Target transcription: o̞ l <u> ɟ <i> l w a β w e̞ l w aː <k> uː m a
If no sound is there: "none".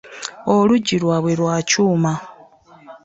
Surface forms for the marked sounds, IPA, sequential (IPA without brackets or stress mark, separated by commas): u, i, c